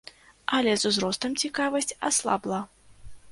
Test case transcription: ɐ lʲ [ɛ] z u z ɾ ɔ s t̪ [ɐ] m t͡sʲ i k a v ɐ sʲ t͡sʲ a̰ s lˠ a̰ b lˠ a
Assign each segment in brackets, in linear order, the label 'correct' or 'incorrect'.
correct, correct

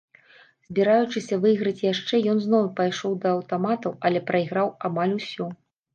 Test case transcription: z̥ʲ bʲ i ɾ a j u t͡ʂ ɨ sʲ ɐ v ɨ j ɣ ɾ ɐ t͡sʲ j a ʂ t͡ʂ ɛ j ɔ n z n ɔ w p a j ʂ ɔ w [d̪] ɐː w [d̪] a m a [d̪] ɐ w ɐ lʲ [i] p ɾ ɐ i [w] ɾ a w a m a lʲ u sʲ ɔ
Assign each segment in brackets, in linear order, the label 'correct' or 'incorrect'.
correct, incorrect, incorrect, incorrect, incorrect

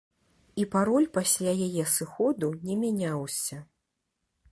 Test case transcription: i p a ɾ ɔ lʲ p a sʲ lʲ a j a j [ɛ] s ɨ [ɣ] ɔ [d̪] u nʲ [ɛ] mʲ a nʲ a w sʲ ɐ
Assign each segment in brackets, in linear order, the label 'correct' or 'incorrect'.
correct, incorrect, correct, correct

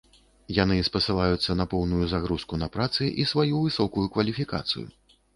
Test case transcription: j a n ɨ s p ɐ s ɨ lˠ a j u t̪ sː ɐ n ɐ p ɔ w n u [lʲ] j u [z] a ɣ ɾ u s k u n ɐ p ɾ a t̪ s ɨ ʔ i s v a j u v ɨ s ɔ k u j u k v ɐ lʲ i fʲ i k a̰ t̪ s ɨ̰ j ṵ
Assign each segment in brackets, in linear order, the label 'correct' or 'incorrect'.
incorrect, correct

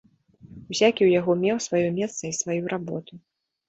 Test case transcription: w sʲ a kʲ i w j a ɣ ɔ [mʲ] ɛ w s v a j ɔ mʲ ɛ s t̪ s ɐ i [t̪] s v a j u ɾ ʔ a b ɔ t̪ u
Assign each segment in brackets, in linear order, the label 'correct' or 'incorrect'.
correct, incorrect

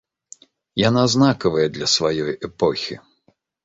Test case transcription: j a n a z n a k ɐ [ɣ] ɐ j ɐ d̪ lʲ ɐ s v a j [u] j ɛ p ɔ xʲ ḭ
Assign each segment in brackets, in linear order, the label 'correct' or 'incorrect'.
incorrect, incorrect

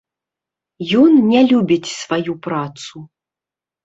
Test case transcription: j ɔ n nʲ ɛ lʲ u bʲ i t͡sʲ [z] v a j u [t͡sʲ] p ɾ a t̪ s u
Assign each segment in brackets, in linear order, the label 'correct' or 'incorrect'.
incorrect, incorrect

